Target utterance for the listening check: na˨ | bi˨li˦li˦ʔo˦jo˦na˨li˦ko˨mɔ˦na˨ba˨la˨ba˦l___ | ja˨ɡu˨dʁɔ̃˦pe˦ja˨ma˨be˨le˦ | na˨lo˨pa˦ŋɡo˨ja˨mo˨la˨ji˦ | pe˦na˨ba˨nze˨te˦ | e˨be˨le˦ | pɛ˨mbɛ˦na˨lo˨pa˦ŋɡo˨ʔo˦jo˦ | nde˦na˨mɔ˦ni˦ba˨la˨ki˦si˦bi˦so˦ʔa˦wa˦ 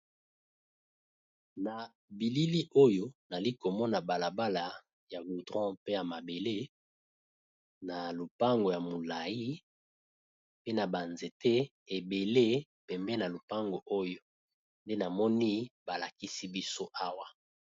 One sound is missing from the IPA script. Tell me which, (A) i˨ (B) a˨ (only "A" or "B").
B